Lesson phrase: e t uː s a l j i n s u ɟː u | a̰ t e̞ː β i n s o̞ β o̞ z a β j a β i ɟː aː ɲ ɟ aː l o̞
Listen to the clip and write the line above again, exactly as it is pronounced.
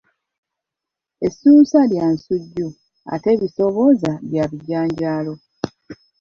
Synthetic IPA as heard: e s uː s a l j a n s u ɟː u | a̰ t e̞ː β i s o̞ β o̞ z a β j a β i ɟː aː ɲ ɟ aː l o̞